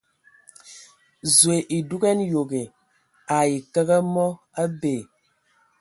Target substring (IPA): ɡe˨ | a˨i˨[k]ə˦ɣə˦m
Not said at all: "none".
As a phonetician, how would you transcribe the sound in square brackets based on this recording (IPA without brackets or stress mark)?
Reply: k